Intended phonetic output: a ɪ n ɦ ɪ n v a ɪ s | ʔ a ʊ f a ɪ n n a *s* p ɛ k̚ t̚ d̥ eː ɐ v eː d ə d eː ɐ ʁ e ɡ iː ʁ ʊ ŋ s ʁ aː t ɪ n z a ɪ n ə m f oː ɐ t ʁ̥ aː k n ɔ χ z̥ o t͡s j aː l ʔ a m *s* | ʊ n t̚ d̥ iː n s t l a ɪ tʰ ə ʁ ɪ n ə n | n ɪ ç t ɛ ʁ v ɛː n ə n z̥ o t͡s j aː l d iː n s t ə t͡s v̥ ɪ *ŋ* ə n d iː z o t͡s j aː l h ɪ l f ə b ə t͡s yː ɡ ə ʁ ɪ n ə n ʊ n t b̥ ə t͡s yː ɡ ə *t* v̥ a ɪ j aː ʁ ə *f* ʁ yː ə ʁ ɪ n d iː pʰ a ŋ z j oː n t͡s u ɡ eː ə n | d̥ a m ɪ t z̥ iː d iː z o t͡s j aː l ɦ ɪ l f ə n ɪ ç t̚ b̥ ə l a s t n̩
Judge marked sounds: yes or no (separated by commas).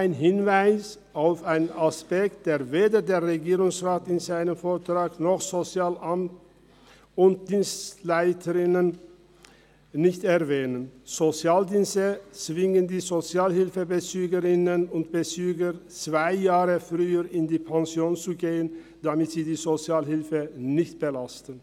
yes, no, yes, no, yes